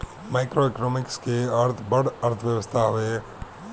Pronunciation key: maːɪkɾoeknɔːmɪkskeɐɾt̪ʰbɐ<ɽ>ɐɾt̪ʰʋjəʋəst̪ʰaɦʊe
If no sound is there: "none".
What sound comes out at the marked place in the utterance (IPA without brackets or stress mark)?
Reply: ɽ